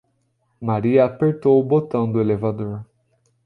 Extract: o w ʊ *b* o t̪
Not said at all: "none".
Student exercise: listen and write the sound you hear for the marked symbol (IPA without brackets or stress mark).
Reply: b